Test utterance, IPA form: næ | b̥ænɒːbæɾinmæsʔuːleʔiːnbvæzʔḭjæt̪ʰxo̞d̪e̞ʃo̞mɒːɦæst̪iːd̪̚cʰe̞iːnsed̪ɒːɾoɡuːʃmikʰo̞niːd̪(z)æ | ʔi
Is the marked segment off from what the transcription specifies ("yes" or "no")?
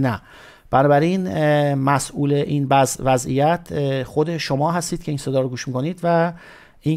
yes